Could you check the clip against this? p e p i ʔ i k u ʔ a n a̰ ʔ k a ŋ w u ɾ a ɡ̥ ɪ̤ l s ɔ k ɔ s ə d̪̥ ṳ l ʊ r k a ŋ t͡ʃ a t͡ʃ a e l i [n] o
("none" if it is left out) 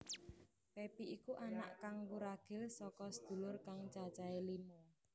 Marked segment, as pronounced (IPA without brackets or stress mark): m